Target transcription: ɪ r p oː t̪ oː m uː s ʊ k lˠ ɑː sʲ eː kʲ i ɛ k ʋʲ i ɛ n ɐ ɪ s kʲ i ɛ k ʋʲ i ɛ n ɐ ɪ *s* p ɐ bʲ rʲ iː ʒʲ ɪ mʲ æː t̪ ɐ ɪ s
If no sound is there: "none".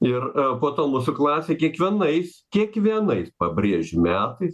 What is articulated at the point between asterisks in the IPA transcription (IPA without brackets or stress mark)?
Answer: s